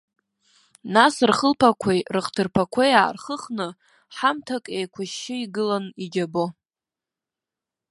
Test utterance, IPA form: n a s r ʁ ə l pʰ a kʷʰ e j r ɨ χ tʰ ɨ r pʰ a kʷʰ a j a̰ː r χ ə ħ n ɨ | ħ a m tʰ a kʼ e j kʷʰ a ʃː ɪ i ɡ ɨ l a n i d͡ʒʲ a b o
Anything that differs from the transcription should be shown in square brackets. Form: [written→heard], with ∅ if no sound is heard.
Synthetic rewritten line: n a s r [ʁ→χ] ə l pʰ a kʷʰ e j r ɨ χ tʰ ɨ r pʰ a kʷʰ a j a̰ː r χ ə [ħ→χ] n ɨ | ħ a m tʰ a kʼ e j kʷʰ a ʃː ɪ i ɡ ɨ l a n i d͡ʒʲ a b o